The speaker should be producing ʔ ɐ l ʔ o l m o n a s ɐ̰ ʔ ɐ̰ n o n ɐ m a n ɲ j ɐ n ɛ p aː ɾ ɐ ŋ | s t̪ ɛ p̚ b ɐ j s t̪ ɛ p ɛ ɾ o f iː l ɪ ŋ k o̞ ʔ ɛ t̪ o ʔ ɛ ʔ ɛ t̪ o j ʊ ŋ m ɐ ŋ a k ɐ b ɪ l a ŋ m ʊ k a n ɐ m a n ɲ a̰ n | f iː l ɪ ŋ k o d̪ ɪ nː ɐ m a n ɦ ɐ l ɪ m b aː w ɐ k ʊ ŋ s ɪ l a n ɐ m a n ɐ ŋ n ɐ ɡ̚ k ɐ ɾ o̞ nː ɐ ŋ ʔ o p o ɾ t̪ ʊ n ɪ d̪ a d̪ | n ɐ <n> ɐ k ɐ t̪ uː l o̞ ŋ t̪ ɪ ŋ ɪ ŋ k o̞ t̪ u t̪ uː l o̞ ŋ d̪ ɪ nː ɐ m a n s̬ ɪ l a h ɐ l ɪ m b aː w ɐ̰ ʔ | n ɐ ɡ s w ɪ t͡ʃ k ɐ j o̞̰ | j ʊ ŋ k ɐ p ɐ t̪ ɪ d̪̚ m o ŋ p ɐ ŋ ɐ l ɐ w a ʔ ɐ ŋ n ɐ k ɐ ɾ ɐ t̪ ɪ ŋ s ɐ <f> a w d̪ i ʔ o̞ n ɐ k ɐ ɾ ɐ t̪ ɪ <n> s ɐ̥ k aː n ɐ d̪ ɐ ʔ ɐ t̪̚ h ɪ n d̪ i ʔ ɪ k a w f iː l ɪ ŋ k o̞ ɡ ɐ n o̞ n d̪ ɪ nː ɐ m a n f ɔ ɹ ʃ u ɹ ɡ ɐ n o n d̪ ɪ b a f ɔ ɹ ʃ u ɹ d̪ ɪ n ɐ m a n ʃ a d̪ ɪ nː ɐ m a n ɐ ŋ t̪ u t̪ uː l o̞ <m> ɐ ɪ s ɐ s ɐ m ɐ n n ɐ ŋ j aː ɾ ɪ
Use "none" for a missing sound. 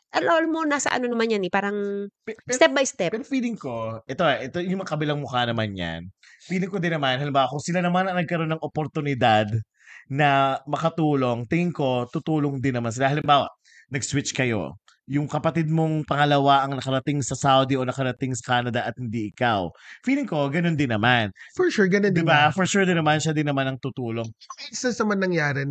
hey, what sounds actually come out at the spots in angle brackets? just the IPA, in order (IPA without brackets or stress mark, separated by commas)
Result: m, s, ŋ, ŋ